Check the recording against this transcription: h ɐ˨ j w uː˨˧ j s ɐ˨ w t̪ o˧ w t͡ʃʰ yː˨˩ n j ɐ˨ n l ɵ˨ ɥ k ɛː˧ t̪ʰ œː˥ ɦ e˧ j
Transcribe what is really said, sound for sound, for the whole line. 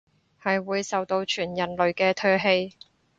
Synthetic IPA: h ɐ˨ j w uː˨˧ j s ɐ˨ w t̪ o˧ w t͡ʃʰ yː˨˩ n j ɐ˨ n l ɵ˨ ɥ k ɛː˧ t̪ʰ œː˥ ɦ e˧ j

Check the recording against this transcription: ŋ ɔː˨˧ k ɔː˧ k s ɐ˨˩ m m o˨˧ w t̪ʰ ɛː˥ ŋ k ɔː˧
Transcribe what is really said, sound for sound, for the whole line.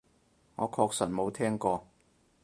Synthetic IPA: ŋ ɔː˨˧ kʰ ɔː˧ k s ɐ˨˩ n m o˨˧ w t̪ʰ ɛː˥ ŋ k ɔː˧

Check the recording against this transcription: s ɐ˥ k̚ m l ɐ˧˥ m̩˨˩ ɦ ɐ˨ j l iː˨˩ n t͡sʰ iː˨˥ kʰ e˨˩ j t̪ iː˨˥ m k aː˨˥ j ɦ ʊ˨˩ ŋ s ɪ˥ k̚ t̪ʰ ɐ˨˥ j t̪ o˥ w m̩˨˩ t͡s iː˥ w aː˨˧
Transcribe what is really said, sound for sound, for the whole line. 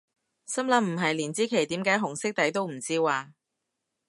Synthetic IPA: s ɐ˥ m l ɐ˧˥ m̩˨˩ ɦ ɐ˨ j l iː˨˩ n t͡s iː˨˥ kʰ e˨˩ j t̪ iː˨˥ m k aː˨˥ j ɦ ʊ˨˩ ŋ s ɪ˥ k̚ t̪ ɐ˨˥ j t̪ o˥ w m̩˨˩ t͡s iː˥ w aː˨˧

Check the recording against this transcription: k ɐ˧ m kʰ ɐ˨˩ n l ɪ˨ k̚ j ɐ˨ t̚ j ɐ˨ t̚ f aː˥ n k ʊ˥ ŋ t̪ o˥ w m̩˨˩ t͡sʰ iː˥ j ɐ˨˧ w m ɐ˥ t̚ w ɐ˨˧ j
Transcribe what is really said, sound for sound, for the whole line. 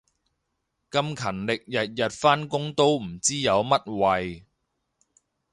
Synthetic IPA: k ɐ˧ m kʰ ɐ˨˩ n l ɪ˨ k̚ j ɐ˨ t̚ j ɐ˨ t̚ f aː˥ n k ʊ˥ ŋ t̪ o˥ w m̩˨˩ t͡s iː˥ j ɐ˨˧ w m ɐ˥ t̚ w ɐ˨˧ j

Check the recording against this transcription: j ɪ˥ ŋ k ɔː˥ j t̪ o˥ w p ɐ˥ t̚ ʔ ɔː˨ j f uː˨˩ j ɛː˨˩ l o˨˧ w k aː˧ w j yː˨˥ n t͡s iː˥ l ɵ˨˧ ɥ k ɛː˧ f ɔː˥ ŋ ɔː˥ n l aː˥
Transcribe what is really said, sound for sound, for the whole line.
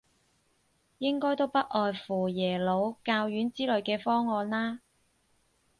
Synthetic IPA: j ɪ˥ ŋ k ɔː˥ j t̪ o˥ w p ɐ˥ t̚ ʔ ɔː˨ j f uː˨˩ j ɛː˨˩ l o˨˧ w k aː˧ w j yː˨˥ n t͡s iː˥ l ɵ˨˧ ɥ k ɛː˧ f ɔː˥ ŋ ɔː˧ n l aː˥

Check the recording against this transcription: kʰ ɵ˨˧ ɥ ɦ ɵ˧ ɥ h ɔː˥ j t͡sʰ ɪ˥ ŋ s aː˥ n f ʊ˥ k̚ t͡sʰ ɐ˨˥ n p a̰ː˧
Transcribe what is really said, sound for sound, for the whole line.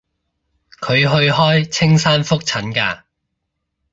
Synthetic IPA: kʰ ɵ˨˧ ɥ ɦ ɵ˧ ɥ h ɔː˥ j t͡sʰ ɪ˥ ŋ s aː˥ n f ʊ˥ k̚ t͡sʰ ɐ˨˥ n k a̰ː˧

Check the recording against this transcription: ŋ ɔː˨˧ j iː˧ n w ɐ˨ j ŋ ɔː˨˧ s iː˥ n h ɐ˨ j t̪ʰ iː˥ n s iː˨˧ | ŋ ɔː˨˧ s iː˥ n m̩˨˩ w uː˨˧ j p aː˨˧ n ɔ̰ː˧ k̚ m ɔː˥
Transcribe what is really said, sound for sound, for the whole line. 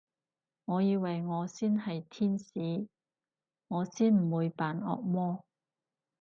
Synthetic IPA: ŋ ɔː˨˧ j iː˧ w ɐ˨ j ŋ ɔː˨˧ s iː˥ n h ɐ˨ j t̪ʰ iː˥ n s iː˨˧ | ŋ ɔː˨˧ s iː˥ n m̩˨˩ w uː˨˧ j p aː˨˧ n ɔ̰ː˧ k̚ m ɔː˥

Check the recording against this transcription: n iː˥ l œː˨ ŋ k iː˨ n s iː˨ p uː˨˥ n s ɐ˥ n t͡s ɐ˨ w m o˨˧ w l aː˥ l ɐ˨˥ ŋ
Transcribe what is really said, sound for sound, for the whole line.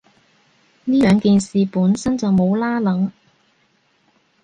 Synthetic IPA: n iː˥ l œː˨ ŋ k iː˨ n s iː˨ p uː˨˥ n s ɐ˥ n t͡s ɐ˨ w m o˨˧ w l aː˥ l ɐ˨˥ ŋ

